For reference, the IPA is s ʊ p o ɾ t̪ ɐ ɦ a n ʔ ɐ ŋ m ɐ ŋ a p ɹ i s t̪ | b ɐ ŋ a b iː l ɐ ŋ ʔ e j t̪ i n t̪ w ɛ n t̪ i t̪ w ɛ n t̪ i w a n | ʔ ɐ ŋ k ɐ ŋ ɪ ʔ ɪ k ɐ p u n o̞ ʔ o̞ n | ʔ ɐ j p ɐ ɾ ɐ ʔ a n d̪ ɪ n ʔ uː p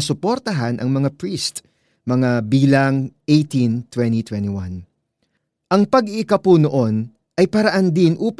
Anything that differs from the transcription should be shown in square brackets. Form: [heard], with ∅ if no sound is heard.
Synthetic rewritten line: s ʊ p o ɾ t̪ ɐ ɦ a n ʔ ɐ ŋ m ɐ ŋ a p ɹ i s t̪ | [m] ɐ ŋ a b iː l ɐ ŋ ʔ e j t̪ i n t̪ w ɛ n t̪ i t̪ w ɛ n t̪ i w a n | ʔ ɐ ŋ [p] ɐ [ɡ] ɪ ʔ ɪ k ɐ p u n o̞ ʔ o̞ n | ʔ ɐ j p ɐ ɾ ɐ ʔ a n d̪ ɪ n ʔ uː p